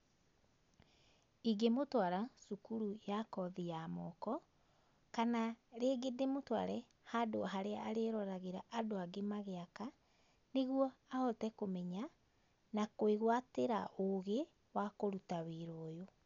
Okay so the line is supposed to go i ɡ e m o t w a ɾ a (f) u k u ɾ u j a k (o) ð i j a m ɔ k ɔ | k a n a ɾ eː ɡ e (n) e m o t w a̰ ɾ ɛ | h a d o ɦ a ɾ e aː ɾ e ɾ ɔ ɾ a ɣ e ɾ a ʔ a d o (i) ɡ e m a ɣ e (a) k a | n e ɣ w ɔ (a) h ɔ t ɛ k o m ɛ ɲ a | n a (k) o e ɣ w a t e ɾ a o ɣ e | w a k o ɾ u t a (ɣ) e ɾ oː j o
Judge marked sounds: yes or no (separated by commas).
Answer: no, no, no, no, yes, yes, yes, no